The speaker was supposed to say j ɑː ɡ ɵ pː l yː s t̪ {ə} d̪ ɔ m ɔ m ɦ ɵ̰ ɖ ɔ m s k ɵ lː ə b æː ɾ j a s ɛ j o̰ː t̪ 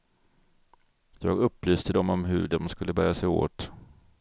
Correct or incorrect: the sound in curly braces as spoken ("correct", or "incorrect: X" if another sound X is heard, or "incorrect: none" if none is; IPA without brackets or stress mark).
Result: correct